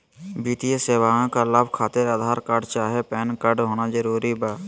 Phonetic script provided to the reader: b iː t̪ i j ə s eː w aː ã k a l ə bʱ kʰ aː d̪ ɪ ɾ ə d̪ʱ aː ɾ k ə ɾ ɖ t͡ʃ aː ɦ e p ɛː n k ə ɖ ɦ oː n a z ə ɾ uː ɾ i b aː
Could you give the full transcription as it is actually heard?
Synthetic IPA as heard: b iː t̪ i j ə s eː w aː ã k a l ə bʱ kʰ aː t̪ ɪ ɾ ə d̪ʱ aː ɾ k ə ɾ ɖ t͡ʃ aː ɦ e p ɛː n k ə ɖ ɦ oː n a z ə ɾ uː ɾ i b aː